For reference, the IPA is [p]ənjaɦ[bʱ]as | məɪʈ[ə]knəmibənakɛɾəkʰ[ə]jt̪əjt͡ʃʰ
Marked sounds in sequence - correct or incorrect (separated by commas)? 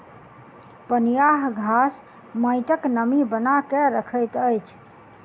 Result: correct, incorrect, correct, correct